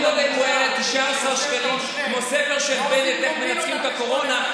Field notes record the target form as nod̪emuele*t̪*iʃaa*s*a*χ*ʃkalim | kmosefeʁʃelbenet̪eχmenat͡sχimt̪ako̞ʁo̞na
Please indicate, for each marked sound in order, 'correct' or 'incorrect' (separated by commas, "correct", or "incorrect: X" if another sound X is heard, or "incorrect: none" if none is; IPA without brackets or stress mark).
correct, correct, incorrect: ʁ